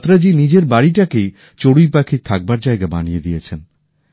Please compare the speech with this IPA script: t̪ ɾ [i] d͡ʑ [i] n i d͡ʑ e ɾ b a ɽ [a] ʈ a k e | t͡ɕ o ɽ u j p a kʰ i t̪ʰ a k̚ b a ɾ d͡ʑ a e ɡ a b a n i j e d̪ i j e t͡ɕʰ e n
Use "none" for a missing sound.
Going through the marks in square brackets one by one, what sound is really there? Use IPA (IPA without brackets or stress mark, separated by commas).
a, i, i